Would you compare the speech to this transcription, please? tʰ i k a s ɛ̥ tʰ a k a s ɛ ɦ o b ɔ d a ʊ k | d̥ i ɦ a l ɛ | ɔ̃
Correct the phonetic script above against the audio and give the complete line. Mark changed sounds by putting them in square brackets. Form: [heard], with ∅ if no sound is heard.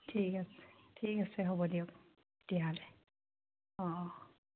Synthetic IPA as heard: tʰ i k a s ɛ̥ tʰ [i] k a s ɛ ɦ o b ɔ d [i] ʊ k | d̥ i ɦ a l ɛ | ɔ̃